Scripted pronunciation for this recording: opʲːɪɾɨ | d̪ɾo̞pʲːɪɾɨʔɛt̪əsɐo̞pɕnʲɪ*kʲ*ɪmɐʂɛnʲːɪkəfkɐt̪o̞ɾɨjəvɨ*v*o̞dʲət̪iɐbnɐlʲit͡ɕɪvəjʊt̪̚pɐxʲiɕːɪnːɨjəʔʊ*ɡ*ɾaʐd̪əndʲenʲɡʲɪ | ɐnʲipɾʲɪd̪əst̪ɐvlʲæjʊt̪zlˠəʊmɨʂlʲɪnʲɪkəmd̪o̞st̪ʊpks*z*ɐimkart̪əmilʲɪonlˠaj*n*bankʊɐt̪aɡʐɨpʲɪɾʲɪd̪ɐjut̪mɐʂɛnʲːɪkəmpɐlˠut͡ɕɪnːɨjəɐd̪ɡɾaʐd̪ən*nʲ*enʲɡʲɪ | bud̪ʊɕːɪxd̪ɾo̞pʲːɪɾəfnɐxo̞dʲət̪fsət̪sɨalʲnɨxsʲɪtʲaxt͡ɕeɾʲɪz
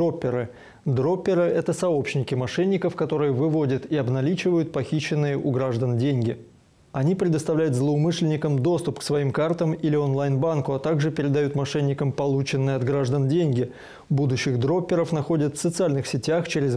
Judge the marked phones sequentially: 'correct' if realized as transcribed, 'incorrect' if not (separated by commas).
correct, correct, correct, incorrect, correct, incorrect